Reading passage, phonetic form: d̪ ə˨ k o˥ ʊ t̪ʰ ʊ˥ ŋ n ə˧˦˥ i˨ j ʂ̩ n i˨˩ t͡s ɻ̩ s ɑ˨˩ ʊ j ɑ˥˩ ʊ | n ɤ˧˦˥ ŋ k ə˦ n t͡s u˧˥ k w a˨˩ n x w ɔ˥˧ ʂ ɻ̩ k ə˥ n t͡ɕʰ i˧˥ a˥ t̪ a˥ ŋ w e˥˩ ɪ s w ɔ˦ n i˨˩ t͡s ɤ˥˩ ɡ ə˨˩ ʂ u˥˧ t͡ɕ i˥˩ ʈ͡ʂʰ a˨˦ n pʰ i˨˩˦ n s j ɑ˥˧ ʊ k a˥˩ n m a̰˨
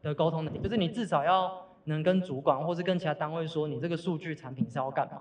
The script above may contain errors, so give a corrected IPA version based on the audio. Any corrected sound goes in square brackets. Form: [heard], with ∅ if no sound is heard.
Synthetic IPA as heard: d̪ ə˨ k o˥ ʊ t̪ʰ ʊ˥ ŋ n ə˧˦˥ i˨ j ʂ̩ n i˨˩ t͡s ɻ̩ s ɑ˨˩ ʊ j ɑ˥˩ ʊ | n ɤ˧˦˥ ŋ k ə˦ n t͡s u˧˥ k w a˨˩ n x w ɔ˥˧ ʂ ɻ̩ k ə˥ n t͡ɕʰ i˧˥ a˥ t̪ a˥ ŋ w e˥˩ ɪ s w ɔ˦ n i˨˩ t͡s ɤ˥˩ ɡ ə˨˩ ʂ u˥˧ t͡ɕ [y˥˩] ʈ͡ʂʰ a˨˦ n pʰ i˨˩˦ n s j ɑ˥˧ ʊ k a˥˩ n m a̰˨